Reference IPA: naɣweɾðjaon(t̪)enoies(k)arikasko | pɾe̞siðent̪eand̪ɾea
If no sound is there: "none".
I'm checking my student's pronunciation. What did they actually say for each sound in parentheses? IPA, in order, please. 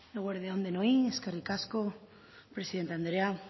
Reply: d̪, k

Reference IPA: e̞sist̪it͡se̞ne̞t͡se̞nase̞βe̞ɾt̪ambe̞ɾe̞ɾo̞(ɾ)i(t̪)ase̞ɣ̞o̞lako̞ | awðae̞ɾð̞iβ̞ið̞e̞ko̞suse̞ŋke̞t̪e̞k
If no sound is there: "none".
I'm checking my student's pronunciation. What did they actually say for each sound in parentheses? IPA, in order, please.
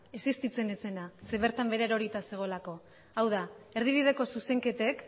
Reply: ɾ, t̪

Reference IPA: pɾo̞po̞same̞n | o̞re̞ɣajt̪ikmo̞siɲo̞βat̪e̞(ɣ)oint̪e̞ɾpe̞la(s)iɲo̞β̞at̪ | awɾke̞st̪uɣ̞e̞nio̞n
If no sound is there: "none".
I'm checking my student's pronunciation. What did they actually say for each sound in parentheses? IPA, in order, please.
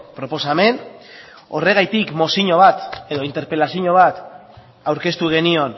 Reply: ð, s

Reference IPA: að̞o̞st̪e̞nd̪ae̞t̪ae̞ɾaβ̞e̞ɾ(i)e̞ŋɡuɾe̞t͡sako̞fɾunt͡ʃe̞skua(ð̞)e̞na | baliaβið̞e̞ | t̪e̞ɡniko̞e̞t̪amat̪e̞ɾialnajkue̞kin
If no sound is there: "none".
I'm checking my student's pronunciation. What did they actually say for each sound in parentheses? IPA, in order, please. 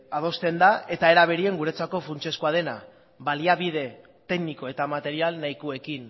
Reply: i, ð̞

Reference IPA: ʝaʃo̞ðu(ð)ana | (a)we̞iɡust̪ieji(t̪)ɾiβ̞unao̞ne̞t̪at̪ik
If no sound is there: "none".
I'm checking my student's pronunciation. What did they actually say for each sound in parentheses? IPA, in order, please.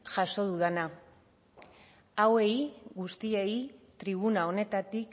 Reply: ð, a, t̪

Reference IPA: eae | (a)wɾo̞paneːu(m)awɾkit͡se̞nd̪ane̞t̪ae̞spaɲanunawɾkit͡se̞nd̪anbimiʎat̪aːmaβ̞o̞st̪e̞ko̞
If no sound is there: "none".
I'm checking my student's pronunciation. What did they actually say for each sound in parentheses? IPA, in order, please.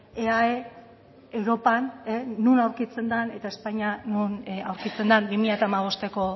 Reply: e, n

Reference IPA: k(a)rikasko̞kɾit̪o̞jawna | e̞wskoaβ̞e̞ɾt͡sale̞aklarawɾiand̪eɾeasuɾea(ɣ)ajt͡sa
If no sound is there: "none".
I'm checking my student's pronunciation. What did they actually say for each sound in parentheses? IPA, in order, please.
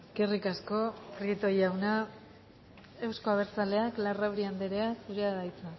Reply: e, ð

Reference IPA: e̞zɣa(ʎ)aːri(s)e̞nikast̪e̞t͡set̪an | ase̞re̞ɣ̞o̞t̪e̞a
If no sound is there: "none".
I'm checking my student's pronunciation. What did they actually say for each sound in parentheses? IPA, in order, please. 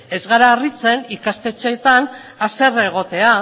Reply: ɾ, t͡s

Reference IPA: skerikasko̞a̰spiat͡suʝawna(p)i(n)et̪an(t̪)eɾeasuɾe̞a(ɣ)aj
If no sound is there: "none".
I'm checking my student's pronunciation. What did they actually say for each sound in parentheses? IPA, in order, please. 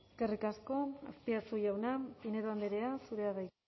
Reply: p, n, d̪, ð

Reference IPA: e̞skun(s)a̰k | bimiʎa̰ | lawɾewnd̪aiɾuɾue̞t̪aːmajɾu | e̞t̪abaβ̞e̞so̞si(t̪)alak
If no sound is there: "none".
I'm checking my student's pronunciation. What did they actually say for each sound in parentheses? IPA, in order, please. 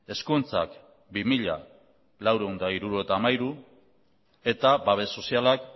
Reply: t͡s, none

